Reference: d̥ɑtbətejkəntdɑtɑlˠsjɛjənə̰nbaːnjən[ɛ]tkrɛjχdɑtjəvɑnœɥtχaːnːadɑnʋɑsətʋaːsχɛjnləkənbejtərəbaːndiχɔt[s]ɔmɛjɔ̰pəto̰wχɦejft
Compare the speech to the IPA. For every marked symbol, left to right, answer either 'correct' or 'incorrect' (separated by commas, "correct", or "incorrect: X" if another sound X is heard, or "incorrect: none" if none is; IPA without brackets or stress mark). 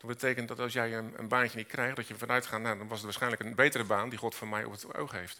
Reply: incorrect: i, incorrect: f